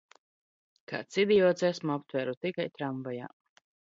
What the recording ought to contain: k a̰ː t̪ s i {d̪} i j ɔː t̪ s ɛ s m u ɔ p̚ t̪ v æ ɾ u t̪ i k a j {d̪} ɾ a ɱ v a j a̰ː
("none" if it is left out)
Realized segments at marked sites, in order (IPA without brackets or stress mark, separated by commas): d̪, t̪